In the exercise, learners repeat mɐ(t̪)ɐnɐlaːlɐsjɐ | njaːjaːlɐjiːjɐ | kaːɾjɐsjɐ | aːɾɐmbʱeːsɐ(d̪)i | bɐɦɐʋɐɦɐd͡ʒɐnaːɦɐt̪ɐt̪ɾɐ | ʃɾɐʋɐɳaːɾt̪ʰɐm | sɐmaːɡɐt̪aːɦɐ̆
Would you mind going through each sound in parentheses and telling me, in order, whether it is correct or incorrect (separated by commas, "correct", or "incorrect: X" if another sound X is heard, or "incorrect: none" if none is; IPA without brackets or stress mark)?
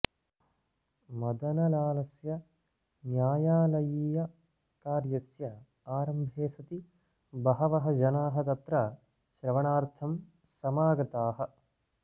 incorrect: d̪, incorrect: t̪